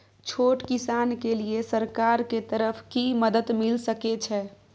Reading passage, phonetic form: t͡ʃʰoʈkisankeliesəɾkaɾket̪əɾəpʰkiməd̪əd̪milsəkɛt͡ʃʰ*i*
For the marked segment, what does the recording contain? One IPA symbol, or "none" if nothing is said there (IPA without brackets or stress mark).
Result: ɛ